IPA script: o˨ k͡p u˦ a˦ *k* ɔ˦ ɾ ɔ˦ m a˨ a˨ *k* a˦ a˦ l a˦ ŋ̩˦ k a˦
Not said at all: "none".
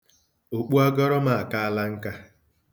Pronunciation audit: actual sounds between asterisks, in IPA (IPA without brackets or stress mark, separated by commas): ɡ, k